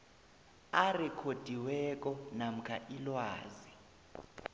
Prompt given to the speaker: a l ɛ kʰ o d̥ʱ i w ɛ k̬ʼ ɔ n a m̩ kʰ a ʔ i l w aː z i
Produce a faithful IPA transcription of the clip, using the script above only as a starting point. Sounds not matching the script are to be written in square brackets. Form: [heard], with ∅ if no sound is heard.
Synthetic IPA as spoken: a [r] ɛ kʰ o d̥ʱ i w ɛ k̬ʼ ɔ n a m̩ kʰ a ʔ i l w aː z i